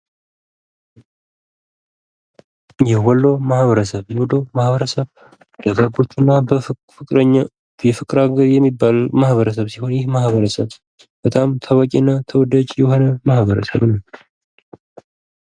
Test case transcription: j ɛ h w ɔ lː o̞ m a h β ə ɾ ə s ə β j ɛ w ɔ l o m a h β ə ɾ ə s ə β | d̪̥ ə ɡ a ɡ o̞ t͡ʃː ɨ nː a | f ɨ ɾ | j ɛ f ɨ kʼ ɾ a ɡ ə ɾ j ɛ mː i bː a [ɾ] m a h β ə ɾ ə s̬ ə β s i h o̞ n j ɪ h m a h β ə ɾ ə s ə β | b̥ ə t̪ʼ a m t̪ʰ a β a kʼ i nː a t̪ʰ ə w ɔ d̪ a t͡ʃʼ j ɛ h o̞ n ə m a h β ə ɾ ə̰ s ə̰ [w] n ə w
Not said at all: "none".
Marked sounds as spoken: l, β

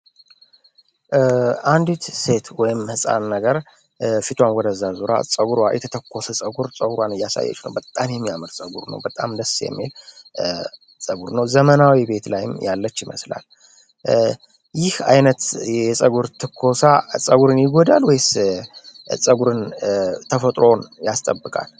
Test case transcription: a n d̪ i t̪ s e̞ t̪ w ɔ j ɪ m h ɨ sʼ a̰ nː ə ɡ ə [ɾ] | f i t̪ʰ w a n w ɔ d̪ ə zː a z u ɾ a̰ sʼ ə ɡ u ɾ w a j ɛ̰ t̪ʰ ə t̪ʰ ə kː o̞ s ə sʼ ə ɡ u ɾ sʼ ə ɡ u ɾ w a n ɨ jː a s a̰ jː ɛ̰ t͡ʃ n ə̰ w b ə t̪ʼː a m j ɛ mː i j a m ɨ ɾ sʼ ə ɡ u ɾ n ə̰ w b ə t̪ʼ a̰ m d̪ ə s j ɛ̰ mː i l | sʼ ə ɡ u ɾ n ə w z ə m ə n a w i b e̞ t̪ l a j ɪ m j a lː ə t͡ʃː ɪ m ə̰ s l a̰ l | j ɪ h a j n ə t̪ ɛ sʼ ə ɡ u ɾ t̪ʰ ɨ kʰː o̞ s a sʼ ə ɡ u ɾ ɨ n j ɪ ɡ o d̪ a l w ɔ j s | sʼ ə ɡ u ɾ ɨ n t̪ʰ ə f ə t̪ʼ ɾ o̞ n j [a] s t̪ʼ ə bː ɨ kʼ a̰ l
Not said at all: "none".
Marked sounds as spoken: ɾ, a

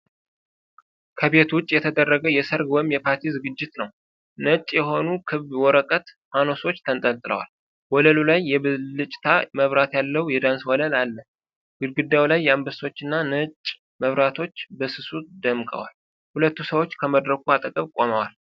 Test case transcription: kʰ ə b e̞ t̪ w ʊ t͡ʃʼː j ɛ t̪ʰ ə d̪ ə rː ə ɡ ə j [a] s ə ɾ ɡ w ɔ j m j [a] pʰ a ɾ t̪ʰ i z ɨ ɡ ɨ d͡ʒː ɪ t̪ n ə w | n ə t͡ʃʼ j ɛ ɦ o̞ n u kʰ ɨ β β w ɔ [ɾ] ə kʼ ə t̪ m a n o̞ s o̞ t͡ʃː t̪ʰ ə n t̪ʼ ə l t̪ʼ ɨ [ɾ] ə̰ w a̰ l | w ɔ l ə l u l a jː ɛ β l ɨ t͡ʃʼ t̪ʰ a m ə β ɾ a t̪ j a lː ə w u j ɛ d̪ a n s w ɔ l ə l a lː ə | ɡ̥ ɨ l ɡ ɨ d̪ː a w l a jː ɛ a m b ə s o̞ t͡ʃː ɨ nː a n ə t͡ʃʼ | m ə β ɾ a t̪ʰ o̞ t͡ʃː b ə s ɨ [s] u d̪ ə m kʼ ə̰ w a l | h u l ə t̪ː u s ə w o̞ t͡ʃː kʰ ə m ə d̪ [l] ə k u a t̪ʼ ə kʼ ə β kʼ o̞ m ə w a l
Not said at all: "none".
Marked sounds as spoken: ɛ, ɛ, ɾ, l, s, ɾ

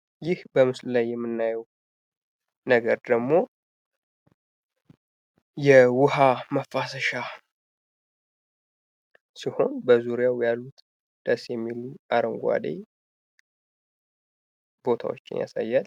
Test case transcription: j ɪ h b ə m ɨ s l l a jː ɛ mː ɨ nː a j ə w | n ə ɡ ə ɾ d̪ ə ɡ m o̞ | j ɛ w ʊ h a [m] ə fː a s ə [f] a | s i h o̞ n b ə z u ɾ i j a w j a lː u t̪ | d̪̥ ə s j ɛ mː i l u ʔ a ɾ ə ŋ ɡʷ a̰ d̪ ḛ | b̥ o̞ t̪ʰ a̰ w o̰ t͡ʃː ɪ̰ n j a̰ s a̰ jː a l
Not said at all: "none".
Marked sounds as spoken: m, ʃ

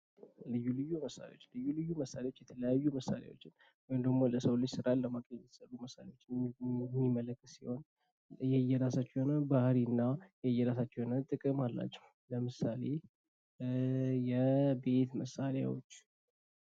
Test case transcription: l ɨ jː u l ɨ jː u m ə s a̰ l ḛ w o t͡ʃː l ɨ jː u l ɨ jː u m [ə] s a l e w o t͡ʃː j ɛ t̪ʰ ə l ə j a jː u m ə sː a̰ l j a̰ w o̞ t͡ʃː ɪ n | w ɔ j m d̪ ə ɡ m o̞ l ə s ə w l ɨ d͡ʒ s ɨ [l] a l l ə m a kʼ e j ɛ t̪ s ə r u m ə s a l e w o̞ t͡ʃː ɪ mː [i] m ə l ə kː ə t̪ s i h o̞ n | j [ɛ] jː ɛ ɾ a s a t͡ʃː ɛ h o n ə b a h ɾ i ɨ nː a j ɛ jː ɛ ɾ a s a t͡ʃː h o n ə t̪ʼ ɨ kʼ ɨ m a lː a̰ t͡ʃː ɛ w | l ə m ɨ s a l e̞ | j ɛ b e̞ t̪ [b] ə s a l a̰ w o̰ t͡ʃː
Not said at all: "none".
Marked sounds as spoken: ə, ɾ, i, ɛ, m

